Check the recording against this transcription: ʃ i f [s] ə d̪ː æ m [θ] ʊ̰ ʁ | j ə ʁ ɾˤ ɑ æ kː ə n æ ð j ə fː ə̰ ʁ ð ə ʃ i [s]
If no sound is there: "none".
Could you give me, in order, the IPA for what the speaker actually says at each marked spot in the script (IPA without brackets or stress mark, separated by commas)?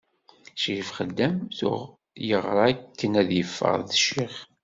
χ, θ, χ